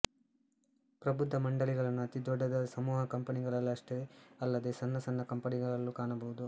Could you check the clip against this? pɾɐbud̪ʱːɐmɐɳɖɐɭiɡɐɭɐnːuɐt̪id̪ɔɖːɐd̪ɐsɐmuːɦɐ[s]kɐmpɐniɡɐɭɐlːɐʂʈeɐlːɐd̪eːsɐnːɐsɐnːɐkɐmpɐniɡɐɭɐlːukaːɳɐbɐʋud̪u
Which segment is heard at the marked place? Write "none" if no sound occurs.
none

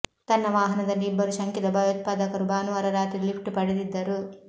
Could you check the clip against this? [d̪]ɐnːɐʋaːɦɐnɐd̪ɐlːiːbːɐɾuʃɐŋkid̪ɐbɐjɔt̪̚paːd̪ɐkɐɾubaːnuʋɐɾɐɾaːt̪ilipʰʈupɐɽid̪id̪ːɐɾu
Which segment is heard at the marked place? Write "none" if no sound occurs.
t̪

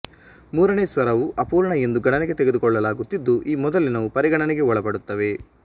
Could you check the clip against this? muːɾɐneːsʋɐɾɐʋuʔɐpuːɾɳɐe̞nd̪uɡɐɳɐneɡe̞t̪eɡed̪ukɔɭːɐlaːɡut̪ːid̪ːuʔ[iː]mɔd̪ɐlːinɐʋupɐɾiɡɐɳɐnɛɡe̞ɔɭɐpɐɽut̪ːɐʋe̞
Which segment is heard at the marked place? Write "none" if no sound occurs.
iː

